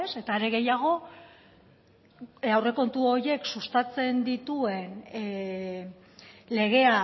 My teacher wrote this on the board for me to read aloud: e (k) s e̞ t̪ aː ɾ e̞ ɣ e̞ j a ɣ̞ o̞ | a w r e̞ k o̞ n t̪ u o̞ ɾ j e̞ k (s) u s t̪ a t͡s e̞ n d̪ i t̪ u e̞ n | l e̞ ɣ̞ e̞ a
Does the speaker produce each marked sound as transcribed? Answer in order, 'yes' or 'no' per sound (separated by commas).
no, yes